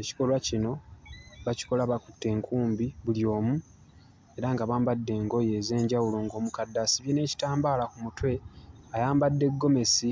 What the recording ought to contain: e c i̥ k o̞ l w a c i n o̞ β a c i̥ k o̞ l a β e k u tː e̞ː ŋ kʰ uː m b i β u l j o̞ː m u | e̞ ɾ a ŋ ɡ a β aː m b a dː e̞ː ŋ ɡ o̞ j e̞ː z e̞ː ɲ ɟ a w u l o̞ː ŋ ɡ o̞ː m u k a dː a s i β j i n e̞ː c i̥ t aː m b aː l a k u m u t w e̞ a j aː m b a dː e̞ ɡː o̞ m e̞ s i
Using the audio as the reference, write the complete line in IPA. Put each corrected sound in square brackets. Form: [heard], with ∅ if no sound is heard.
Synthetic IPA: e c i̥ k o̞ l w a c i n o̞ β a c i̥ k o̞ l a β [a] k u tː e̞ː ŋ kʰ uː m b i β u l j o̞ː m u | e̞ ɾ a ŋ ɡ a β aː m b a dː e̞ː ŋ ɡ o̞ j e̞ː z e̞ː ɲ ɟ a w u l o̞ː ŋ ɡ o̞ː m u k a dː a s i β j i n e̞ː c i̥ t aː m b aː l a k u m u t w e̞ a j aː m b a dː e̞ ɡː o̞ m e̞ s i